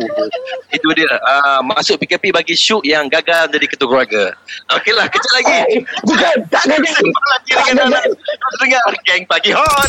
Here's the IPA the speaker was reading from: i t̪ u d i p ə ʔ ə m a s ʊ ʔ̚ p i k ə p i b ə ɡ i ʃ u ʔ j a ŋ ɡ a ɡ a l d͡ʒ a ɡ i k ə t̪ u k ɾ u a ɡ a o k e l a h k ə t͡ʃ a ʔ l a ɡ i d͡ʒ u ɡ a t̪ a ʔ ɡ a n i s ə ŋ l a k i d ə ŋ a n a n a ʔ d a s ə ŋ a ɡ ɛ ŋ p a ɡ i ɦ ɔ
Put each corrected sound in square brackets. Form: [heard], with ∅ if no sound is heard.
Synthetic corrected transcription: i t̪ u d i [∅] ə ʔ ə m a s ʊ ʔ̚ p i k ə p i b [a] ɡ i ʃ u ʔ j a ŋ ɡ a ɡ a l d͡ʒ a [d] i k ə t̪ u k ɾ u a ɡ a o k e l a h k ə t͡ʃ a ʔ l a ɡ i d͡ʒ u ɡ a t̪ a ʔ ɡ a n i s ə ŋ l a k i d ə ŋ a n a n a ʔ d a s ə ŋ a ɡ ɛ ŋ p a ɡ i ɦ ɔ